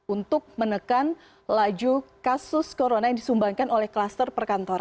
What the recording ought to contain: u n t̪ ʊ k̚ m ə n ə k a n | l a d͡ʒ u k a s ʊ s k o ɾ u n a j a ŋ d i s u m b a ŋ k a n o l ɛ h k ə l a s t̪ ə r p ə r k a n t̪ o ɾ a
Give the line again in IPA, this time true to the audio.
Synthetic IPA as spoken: u n t̪ ʊ k̚ m ə n ə k a n | l a d͡ʒ u k a s ʊ s k o ɾ o n a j a ŋ d i s u m b a ŋ k a n o l ɛ h k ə l a s t̪ ə r p ə r k a n t̪ o ɾ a